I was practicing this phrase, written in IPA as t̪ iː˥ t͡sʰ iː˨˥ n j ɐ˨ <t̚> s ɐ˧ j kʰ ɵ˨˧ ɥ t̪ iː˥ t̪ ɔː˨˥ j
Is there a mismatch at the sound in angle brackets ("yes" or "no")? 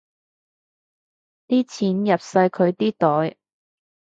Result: yes